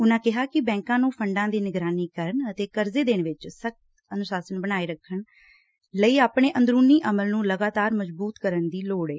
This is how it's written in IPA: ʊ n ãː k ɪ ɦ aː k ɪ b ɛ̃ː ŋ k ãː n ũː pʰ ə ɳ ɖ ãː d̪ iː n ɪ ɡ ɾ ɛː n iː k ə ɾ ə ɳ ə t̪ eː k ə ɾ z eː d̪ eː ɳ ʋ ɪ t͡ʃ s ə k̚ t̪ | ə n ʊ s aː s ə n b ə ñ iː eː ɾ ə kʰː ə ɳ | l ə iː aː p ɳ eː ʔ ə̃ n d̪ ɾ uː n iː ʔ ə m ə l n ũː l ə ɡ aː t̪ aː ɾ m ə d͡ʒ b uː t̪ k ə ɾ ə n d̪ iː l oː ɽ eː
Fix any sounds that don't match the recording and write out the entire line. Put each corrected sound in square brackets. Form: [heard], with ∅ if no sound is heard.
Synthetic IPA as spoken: ʊ n ãː k ɪ ɦ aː k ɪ b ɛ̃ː ŋ k ãː n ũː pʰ ə ɳ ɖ ãː d̪ iː n ɪ ɡ ɾ [aː] n iː k ə ɾ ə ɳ ə t̪ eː k ə ɾ z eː d̪ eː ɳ ʋ ɪ t͡ʃ s ə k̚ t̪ | ə n ʊ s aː s ə n b ə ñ [aː] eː ɾ ə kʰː ə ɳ | l ə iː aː p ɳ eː ʔ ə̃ n d̪ ɾ uː n iː ʔ ə m ə l n ũː l ə ɡ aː t̪ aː ɾ m ə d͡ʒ b uː t̪ k ə ɾ ə n d̪ iː l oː ɽ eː